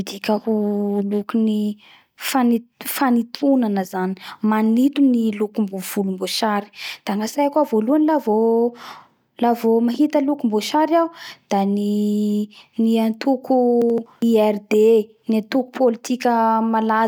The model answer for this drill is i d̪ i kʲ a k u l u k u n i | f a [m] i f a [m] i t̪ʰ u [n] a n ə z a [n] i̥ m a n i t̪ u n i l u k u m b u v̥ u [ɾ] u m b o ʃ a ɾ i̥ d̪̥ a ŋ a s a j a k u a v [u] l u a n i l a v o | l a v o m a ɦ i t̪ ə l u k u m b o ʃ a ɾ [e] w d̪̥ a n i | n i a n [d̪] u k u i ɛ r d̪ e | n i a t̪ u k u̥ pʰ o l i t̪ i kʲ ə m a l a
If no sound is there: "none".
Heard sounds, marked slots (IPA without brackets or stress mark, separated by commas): n, n, n, n, l, o, a, t̪